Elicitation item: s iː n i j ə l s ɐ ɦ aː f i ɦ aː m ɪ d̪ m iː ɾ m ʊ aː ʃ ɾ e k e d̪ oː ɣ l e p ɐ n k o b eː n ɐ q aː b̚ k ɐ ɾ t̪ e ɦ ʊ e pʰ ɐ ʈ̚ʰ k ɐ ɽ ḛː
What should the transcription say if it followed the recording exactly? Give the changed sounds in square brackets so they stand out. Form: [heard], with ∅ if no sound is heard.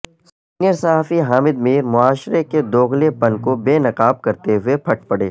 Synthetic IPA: s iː n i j ə [ɾ] s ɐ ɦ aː f i ɦ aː m ɪ d̪ m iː ɾ m ʊ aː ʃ ɾ e k e d̪ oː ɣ l e p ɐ n k o b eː n ɐ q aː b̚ k ɐ ɾ t̪ e ɦ ʊ e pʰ ɐ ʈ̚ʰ [p] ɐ ɽ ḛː